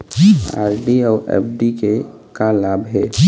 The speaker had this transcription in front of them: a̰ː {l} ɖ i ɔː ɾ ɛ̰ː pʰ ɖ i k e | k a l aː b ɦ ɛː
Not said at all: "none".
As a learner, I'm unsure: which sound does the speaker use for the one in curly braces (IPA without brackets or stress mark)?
ɾ